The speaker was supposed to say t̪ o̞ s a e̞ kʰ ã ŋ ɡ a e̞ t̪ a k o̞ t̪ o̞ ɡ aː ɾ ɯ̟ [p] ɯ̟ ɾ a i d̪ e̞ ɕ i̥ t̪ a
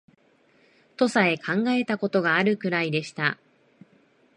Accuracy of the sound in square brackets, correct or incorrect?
incorrect